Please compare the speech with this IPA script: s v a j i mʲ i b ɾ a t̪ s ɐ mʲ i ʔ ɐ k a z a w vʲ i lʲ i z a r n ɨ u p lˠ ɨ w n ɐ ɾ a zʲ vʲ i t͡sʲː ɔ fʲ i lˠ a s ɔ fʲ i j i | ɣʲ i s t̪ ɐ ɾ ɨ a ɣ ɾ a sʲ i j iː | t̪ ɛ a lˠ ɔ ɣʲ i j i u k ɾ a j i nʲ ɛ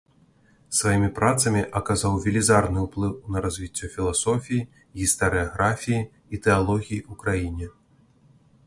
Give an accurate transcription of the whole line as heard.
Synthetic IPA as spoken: s v a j i mʲ i p ɾ a t̪ s ɐ mʲ i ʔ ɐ k a z a w vʲ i lʲ i z a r n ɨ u p lˠ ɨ w n ɐ ɾ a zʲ vʲ i t͡sʲː ɔ fʲ i lˠ a s ɔ fʲ i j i | ɣʲ i s t̪ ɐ ɾ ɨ a ɣ ɾ a fʲ i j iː | t̪ ɛ a lˠ ɔ ɣʲ i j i u k ɾ a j i nʲ ɛ